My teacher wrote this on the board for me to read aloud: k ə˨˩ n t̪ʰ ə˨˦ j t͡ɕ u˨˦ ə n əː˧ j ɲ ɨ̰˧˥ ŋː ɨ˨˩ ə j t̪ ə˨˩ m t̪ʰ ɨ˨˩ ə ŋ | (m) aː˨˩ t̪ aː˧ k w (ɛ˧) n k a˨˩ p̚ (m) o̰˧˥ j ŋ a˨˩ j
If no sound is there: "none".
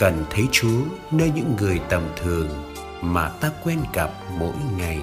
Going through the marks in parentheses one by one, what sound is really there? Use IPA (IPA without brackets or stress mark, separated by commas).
m, ɛ˧, m